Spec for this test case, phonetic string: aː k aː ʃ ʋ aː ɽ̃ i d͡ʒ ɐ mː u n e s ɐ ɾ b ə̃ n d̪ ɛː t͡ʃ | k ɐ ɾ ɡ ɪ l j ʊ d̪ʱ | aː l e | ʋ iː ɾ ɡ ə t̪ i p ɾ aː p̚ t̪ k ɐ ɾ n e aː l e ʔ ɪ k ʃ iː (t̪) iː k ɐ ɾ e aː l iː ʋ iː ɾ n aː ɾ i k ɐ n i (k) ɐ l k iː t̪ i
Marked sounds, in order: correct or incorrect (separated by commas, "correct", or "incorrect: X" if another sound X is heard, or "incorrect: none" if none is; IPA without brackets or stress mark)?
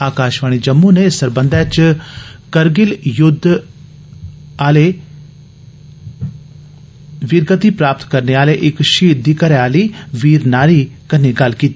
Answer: incorrect: d̪, incorrect: ɡ